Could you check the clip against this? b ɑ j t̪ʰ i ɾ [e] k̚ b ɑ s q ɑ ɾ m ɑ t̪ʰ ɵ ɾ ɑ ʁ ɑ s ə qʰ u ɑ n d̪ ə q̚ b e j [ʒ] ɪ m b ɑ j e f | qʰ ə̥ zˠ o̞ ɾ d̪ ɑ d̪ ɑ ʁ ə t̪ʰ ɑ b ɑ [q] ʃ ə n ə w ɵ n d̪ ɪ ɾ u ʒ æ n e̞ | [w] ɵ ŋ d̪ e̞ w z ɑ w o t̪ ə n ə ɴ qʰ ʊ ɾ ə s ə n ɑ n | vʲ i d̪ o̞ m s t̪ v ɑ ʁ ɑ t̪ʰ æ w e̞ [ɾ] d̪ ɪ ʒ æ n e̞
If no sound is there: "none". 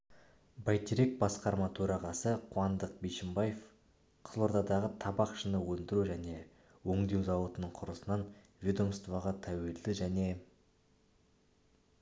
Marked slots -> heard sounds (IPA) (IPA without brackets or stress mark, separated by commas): e, ʃ, q, w, l